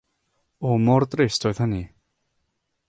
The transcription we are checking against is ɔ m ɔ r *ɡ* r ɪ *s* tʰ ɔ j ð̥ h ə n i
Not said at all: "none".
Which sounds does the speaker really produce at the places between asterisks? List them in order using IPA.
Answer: d, s

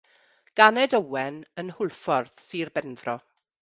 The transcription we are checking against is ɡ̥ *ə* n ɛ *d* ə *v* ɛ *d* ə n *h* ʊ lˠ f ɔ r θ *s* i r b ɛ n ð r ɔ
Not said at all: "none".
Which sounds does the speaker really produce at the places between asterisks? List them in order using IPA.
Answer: a, d, w, n, h, s

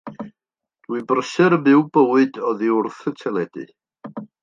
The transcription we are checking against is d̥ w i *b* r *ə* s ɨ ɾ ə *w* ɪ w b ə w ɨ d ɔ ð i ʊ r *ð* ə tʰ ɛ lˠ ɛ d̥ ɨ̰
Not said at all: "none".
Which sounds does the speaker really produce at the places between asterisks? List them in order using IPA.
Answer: b, ə, b, θ

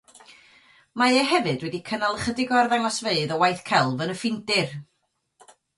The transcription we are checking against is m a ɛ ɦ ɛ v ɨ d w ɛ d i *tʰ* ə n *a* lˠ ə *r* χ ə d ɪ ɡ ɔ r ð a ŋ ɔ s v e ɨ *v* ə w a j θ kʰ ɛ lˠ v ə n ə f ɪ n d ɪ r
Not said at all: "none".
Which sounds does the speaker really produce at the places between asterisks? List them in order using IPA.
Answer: kʰ, a, none, ð

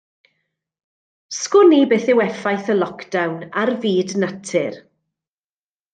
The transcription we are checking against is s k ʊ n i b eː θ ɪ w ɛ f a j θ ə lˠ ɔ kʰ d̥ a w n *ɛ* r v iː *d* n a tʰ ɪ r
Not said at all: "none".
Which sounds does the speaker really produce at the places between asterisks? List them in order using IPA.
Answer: a, d

